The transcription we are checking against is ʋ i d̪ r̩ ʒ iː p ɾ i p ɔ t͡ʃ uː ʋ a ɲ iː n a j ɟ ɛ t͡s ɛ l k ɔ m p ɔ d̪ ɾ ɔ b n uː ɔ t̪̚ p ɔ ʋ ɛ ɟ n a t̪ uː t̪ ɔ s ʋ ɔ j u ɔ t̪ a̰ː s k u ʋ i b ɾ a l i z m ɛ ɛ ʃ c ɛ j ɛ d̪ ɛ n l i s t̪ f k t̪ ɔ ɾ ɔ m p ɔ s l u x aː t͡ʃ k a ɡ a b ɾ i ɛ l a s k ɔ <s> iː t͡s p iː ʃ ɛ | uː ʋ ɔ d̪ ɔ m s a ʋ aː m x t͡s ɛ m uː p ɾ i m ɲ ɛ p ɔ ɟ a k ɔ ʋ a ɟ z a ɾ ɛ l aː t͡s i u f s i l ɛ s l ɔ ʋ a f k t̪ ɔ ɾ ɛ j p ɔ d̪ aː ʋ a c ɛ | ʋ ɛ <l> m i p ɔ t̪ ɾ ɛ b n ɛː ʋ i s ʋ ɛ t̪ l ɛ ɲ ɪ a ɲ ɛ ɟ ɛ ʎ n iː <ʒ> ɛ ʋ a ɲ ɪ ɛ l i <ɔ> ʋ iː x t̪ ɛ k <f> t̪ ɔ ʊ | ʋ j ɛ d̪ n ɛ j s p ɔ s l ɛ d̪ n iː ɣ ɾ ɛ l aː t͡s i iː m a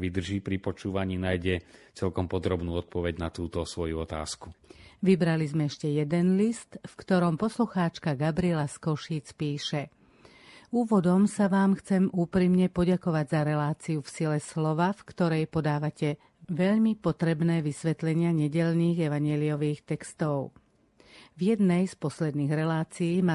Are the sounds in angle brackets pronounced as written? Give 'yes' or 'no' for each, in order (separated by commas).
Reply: no, no, no, yes, no